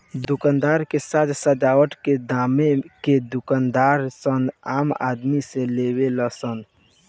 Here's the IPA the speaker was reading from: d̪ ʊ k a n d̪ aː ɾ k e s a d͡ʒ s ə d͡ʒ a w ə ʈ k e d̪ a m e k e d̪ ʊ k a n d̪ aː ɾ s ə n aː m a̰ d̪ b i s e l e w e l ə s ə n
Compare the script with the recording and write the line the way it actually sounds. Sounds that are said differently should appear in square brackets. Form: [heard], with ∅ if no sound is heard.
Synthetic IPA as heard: d̪ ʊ k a n d̪ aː ɾ k e s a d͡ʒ s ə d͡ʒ a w ə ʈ k e d̪ a m e k e d̪ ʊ k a n d̪ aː ɾ s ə n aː m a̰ d̪ [m] i s e l e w e l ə s ə n